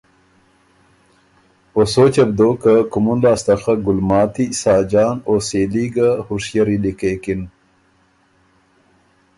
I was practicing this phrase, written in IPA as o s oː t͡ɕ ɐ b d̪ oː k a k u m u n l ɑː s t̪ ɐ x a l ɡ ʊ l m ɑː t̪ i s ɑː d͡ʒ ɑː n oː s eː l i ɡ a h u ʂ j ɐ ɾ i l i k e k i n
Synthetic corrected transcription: o s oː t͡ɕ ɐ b d̪ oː k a k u m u n l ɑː s t̪ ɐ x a ɡ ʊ l m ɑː t̪ i s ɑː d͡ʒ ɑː n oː s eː l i ɡ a h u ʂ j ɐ ɾ i l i k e k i n